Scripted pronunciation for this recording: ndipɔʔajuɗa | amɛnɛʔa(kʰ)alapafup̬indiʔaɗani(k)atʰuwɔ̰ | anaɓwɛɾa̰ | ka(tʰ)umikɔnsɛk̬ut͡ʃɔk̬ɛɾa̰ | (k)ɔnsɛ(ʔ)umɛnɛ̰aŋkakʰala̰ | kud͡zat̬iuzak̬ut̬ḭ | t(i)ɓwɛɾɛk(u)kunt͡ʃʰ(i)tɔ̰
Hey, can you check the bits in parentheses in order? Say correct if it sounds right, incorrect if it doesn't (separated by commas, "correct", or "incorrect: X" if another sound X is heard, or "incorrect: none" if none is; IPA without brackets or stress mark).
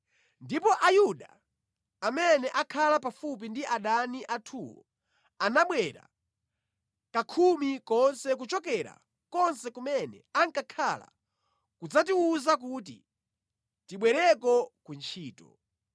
correct, incorrect: ʔ, incorrect: kʰ, correct, incorrect: k, correct, incorrect: ɔ, incorrect: iː